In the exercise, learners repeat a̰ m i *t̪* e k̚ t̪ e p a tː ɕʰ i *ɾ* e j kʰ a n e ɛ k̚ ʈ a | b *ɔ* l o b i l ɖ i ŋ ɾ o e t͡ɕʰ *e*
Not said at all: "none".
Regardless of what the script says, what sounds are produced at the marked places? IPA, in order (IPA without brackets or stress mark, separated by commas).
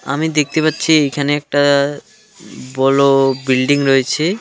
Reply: d̪, none, ɔ, e